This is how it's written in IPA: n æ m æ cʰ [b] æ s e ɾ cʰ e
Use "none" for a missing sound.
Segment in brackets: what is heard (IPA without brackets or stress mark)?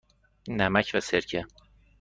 v